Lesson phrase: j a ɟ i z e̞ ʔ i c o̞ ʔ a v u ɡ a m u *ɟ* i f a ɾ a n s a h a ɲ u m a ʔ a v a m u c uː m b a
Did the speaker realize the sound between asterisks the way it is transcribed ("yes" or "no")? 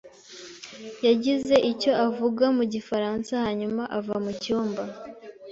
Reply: yes